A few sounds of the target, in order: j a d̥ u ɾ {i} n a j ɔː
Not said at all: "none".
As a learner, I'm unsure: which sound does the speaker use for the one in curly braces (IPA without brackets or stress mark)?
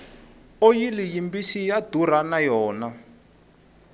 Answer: a